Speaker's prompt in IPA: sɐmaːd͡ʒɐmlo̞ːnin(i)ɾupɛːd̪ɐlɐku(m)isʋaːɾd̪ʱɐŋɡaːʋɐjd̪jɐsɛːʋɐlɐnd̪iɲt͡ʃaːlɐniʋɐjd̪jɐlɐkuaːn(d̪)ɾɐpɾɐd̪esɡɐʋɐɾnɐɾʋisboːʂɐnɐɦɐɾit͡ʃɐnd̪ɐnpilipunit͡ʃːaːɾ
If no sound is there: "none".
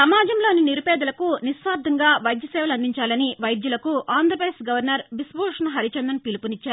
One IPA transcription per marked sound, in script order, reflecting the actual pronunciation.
i, n, d̪

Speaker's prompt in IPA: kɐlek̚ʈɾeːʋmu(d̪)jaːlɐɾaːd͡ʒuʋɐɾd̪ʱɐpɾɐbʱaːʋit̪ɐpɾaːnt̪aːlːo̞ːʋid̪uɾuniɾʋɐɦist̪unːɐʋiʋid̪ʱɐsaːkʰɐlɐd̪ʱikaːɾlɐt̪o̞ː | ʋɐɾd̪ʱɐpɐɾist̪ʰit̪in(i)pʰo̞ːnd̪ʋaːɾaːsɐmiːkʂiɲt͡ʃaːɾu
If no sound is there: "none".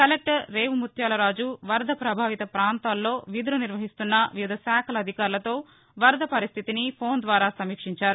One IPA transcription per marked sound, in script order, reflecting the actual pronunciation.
t̪, i

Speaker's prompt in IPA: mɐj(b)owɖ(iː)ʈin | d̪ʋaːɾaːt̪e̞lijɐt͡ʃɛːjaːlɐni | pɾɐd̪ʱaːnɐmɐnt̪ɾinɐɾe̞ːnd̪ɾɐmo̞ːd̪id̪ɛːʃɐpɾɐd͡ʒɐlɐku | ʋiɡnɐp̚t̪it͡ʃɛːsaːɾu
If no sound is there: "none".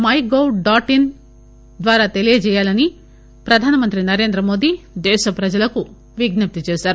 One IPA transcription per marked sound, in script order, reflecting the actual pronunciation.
ɡ, aː

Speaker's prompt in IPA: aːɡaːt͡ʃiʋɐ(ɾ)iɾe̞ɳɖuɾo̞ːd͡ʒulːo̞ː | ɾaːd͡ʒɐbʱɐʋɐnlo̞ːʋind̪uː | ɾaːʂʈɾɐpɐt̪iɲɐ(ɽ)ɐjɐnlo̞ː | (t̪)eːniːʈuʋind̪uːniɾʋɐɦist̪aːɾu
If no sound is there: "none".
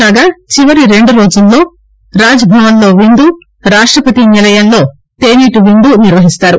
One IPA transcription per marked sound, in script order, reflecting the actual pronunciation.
ɾ, l, t̪

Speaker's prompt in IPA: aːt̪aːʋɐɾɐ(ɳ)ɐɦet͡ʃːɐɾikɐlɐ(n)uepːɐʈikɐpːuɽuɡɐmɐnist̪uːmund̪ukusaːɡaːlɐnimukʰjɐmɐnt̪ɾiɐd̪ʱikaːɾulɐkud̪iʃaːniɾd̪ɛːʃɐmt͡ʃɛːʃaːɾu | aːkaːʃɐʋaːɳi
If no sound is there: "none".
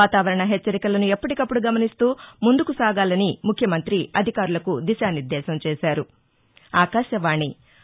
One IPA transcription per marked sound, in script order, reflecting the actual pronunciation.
ɳ, n

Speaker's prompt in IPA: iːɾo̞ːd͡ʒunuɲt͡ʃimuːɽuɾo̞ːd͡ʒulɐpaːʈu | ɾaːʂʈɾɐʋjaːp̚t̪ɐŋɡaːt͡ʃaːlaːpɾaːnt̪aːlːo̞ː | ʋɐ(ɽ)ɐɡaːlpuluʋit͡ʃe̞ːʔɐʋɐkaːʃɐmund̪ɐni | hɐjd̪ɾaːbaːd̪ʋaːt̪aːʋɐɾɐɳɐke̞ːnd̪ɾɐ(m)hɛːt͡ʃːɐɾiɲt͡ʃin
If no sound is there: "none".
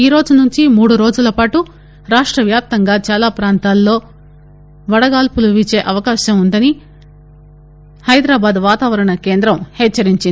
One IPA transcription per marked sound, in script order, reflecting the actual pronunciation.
ɽ, m

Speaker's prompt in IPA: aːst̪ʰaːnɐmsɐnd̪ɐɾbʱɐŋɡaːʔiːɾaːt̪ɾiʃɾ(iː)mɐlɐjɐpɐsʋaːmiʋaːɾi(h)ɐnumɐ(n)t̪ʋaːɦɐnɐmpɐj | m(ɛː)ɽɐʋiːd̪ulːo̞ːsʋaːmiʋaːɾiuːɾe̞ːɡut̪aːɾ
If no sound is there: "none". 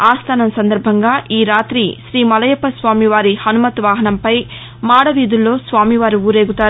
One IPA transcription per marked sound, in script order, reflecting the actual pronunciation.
iː, h, none, aː

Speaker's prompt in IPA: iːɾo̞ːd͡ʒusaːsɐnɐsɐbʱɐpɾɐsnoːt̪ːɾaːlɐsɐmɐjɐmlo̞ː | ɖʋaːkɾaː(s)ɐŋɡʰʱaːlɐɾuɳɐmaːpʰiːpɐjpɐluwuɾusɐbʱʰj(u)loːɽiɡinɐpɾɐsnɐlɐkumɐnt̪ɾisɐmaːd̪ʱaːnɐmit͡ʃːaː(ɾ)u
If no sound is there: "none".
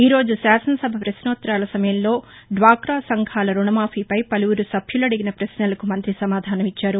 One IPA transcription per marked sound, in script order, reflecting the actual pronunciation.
s, u, ɾ

